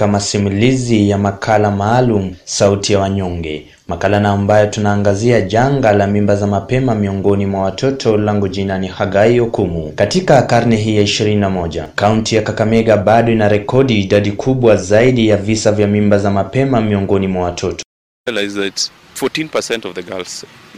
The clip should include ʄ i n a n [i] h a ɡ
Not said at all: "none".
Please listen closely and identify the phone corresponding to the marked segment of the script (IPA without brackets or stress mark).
i